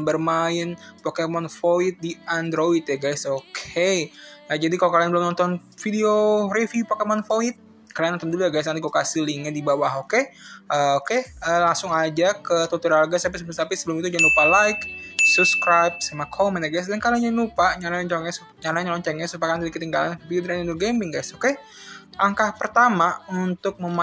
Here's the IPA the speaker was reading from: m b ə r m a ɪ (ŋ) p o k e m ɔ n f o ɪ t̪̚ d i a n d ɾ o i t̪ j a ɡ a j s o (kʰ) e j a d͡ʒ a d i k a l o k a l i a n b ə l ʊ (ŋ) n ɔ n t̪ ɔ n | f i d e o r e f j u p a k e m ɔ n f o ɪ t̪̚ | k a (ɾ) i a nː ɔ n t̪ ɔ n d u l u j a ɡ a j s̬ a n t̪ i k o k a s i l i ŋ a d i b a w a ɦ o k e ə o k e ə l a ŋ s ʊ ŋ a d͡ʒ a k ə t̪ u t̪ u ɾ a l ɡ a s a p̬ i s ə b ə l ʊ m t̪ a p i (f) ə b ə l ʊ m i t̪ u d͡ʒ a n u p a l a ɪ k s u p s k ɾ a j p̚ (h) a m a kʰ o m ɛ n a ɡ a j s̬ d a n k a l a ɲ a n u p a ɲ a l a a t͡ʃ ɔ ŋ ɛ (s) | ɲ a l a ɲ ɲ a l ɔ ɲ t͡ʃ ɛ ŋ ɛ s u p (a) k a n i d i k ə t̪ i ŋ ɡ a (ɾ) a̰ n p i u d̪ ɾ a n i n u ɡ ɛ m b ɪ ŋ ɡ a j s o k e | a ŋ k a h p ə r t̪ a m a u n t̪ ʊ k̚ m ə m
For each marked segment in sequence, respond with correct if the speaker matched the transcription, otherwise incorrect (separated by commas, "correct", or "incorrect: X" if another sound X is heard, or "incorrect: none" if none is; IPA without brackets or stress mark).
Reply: incorrect: n, correct, incorrect: m, incorrect: l, incorrect: s, incorrect: s, correct, correct, incorrect: l